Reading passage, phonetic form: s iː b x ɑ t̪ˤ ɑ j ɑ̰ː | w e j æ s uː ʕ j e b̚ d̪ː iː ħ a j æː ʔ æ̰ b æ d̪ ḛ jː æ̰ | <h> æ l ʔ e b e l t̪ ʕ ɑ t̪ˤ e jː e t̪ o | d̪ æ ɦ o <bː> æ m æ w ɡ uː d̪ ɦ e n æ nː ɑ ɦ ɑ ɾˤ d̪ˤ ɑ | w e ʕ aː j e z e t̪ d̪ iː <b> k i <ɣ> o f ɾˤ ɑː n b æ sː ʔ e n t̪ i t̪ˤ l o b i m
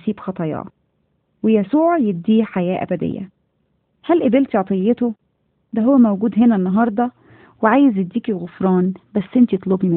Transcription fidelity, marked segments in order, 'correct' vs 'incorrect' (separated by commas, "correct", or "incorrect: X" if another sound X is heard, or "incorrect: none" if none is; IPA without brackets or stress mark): correct, incorrect: wː, incorrect: none, correct